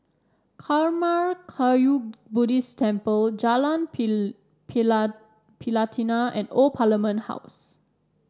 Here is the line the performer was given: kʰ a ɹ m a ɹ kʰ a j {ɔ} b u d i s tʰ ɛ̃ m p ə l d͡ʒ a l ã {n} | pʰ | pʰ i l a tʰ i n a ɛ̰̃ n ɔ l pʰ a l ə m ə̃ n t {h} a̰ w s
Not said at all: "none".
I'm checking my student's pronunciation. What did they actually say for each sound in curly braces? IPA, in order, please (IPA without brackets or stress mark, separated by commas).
u, n, h